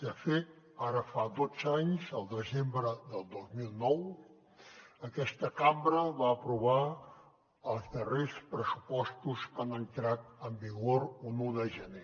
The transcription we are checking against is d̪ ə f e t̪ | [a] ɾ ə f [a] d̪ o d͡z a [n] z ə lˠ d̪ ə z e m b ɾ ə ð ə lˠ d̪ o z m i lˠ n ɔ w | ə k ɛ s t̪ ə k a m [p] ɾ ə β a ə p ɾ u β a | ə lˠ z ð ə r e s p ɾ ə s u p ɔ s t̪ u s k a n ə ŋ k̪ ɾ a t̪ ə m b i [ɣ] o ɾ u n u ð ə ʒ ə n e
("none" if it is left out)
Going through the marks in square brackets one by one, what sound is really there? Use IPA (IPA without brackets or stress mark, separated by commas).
a, a, ɲ, b, ɣ